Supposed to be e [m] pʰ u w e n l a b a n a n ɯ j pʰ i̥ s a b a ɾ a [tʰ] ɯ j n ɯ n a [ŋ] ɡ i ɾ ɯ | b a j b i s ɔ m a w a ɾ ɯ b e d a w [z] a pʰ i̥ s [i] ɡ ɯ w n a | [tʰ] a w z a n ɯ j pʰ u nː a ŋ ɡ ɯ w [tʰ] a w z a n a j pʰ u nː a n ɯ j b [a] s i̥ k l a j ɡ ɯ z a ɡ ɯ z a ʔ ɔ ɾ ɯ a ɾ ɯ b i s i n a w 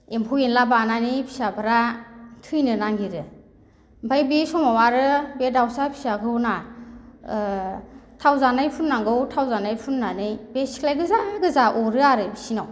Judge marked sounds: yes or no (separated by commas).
yes, yes, yes, no, no, yes, yes, no